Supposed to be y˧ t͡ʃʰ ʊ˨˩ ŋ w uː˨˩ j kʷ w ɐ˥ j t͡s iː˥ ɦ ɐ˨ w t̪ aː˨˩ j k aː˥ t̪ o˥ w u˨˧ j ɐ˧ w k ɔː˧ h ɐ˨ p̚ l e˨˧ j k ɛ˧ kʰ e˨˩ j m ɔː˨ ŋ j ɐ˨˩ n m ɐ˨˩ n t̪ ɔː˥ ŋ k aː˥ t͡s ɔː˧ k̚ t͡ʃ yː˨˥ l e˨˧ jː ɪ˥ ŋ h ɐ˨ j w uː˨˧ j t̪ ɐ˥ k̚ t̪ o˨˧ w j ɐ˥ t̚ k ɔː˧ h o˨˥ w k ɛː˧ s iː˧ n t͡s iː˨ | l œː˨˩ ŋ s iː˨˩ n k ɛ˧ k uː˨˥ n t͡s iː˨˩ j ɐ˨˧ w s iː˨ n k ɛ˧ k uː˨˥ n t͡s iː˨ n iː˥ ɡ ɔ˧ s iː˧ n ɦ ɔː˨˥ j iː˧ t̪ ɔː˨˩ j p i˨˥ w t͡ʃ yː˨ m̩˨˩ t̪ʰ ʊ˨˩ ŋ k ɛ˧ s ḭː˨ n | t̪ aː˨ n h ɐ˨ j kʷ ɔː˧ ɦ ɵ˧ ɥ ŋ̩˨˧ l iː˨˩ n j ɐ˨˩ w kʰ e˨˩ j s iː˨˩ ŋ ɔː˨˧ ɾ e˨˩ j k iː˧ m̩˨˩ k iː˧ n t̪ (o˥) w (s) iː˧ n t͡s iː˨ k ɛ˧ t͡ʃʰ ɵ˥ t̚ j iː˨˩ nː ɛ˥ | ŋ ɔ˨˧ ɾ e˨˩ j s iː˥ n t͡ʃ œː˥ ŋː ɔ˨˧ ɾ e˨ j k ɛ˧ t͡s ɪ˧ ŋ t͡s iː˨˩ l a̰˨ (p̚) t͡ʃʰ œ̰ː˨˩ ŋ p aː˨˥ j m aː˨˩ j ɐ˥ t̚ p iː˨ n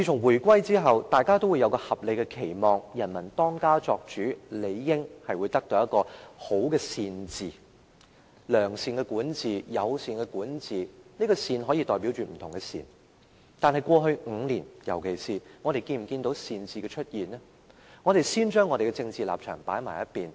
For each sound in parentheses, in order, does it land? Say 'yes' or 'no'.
no, yes, yes

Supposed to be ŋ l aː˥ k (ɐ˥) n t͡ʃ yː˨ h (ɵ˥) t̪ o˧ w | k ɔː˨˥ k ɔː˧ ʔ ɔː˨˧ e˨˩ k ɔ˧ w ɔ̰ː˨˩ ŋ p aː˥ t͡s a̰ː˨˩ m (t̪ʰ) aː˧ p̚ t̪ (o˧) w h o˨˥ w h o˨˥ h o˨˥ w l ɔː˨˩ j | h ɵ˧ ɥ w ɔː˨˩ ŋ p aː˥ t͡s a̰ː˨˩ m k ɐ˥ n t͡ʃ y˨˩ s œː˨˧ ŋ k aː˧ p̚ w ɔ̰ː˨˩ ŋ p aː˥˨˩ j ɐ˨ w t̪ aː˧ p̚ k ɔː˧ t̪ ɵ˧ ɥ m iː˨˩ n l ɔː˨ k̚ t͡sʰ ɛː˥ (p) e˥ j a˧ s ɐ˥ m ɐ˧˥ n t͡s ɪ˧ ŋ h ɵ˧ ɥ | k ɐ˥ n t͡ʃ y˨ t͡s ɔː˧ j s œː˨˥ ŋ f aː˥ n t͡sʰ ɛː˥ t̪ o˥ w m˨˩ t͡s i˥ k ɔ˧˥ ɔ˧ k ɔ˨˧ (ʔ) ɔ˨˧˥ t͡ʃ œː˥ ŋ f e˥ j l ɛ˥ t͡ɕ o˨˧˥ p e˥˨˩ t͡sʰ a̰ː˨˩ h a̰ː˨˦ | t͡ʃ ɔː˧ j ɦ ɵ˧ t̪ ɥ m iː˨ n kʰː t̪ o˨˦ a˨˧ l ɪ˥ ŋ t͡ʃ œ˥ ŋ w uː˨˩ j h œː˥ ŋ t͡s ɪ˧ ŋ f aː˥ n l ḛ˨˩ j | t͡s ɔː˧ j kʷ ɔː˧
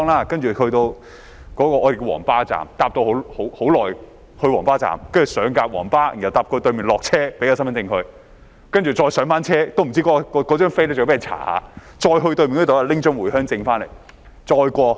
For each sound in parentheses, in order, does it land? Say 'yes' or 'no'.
yes, no, no, yes, yes, no

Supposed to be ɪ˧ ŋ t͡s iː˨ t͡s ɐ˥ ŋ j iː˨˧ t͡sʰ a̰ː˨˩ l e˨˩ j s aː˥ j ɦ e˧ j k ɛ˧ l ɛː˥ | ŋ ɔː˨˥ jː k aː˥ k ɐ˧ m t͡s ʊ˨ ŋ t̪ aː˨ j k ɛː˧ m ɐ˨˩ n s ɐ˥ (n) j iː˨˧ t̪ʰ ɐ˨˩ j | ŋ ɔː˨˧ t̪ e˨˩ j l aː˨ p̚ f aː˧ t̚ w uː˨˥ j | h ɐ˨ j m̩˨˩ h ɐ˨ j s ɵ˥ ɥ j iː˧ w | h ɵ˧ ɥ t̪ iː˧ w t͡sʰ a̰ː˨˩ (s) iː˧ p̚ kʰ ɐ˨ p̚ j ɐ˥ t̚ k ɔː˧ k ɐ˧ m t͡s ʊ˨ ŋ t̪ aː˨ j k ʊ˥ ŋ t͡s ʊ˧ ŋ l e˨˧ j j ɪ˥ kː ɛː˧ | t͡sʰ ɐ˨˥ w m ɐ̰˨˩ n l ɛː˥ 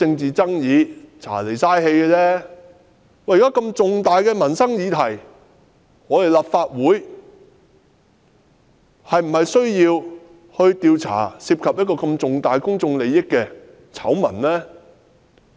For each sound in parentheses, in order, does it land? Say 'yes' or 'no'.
no, yes

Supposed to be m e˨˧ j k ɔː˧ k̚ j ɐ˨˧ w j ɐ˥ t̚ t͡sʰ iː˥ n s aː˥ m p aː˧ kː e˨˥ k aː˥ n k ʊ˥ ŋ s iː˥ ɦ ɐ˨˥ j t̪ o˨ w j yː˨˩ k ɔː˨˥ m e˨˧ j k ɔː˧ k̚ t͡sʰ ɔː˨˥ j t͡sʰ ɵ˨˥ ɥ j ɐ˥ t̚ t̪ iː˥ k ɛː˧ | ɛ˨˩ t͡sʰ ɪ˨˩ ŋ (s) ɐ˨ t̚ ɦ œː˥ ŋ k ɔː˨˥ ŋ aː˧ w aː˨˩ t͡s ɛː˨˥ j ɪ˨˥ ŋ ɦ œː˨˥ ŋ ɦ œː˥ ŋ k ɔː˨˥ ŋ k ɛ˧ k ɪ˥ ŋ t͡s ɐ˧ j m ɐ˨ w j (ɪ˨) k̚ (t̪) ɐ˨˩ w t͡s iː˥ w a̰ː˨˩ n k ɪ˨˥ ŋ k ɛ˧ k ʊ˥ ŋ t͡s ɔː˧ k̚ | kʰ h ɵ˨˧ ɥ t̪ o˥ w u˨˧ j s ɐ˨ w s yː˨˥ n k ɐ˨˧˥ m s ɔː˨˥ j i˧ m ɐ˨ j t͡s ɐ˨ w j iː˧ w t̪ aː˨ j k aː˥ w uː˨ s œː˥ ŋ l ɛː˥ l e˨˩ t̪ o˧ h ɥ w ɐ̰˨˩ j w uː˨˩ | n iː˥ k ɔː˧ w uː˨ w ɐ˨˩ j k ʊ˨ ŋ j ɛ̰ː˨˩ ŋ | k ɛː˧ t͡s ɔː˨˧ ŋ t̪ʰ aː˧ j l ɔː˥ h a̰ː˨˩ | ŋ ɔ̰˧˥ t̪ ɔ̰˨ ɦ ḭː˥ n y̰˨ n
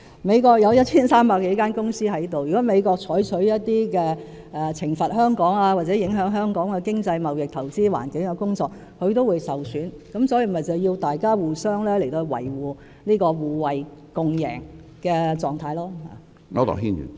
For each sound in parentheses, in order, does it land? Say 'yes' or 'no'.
no, yes, no

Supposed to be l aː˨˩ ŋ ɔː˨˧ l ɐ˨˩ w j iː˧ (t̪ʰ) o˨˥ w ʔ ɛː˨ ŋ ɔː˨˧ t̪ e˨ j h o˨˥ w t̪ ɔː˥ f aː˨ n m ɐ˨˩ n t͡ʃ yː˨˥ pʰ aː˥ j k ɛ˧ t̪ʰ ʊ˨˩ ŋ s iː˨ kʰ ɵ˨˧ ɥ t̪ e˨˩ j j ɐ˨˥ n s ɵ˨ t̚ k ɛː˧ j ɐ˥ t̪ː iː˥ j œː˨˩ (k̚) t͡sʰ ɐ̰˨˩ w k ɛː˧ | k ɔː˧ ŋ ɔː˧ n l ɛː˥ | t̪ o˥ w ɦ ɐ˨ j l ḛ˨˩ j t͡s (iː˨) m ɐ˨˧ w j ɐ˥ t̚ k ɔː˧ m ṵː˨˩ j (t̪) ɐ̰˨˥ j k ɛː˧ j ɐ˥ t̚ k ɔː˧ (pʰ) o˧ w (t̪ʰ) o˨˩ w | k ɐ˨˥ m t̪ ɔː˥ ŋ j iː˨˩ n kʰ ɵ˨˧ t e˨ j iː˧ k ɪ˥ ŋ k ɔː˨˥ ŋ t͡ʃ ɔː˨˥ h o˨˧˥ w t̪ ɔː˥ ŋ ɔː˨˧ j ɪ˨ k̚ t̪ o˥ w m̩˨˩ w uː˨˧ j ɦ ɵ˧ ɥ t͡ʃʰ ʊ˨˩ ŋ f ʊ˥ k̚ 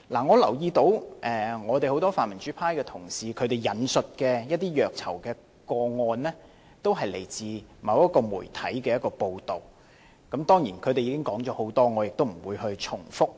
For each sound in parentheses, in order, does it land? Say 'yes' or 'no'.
no, yes, yes, no, no, no

